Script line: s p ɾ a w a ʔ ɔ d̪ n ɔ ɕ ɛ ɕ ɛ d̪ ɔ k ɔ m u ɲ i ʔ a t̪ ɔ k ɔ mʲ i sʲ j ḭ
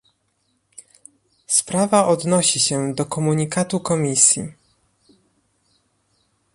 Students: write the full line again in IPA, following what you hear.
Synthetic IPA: s p ɾ a v a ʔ ɔ d̪ n ɔ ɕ i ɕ ɛ d̪ ɔ k ɔ m u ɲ i k a t̪ u k ɔ mʲ i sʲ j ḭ